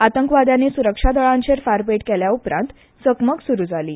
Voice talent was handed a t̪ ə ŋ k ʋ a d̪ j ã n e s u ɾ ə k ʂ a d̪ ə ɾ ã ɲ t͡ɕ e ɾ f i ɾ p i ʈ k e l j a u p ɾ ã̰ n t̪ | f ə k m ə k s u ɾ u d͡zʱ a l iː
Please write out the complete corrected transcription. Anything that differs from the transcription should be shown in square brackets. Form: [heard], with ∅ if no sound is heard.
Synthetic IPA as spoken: a t̪ ə ŋ k ʋ a d̪ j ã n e s u ɾ ə k ʂ a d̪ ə [ɭ] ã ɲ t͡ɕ e ɾ f [a] ɾ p [e] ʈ k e l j a u p ɾ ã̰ n t̪ | [s] ə k m ə k s u ɾ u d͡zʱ a l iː